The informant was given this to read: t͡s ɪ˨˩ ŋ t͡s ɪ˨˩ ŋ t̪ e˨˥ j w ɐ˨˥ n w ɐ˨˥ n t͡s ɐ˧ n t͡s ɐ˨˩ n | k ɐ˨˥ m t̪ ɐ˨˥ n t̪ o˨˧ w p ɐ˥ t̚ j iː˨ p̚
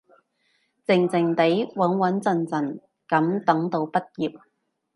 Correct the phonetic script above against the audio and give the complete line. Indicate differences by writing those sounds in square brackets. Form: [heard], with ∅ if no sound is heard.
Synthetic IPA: t͡s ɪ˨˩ ŋ t͡s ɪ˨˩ ŋ t̪ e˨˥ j w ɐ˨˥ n w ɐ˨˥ n t͡s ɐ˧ n t͡s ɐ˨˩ n | k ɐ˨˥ m t̪ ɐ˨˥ [ŋ] t̪ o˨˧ w p ɐ˥ t̚ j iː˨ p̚